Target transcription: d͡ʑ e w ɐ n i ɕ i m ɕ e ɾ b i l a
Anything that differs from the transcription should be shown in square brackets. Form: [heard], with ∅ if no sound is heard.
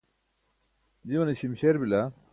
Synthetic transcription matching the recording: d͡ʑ [i] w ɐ n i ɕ i m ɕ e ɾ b i l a